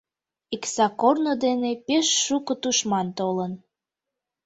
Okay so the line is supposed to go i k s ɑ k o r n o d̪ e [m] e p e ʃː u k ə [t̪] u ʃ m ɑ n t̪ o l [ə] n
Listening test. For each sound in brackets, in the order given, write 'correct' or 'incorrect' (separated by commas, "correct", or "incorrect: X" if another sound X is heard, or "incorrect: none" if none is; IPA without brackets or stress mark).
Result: incorrect: n, correct, correct